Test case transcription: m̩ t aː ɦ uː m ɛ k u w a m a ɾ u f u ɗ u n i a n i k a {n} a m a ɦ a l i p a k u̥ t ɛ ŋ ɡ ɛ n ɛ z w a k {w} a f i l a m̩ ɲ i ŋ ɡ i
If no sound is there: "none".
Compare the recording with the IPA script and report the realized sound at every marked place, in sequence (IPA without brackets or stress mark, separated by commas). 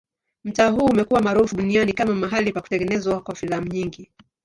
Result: m, w